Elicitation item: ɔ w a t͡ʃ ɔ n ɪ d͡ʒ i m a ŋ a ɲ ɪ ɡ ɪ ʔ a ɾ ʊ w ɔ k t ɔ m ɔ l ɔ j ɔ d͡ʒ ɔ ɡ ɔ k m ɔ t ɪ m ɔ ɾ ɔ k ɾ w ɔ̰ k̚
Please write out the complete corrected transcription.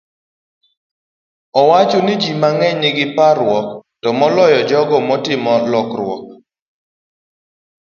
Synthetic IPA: ɔ w a t͡ʃ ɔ n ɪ d͡ʒ i m a ŋ ɛ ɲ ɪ ɡ ɪ p a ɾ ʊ w ɔ k t ɔ m ɔ l ɔ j ɔ d͡ʒ ɔ ɡ ɔ m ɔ t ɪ m ɔ l ɔ k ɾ w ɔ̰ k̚